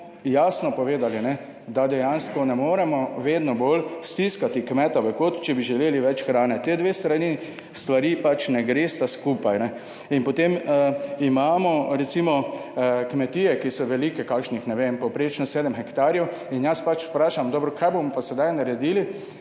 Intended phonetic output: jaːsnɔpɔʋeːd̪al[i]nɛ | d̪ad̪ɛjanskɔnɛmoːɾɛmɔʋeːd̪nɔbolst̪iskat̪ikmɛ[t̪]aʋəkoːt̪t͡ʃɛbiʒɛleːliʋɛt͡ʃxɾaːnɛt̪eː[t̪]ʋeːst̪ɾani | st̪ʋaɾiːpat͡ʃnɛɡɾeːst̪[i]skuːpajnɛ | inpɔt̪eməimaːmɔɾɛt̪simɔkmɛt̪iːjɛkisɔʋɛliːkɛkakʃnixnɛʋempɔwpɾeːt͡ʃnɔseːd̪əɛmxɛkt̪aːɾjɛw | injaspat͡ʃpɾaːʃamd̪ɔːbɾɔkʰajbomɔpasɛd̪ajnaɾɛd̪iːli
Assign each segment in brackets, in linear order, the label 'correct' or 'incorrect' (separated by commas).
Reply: correct, correct, incorrect, incorrect